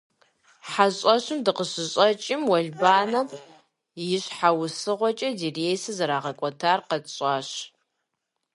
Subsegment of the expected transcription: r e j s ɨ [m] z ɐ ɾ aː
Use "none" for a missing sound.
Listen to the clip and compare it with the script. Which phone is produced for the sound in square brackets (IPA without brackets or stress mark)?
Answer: none